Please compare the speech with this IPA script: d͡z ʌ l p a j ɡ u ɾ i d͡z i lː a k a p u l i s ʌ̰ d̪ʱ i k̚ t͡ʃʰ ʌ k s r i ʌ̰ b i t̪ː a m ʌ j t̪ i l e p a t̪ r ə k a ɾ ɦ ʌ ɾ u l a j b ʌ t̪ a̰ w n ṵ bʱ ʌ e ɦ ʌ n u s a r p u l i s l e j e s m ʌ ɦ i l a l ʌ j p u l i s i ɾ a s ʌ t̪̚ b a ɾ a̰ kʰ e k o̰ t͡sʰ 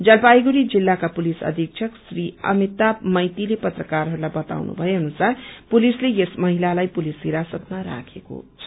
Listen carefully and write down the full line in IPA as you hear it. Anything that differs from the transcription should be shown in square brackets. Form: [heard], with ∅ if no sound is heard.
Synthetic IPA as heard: d͡z ʌ l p a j ɡ u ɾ i d͡z i lː a k a p u l i s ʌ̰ d̪ʱ i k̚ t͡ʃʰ ʌ k s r i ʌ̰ [m] i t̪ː a m ʌ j t̪ i l e p [ʌ] t̪ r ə k a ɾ ɦ ʌ ɾ u l a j b ʌ t̪ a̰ w n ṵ bʱ ʌ e ɦ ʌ n u s a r p u l i s l e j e s m ʌ ɦ i l a l [a] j p u l i s i ɾ a s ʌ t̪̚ [m] a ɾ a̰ kʰ e k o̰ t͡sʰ